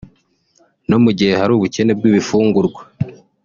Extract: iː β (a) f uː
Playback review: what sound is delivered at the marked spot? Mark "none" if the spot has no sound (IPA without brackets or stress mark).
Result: i